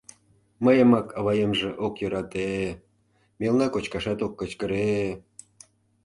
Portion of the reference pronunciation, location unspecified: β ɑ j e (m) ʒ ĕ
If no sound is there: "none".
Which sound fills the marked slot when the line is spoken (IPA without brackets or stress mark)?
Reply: m